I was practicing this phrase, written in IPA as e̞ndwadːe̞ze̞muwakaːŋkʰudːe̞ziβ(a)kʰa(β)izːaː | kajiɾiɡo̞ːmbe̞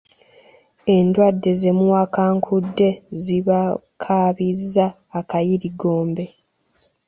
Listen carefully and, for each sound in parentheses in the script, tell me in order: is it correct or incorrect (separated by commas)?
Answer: correct, correct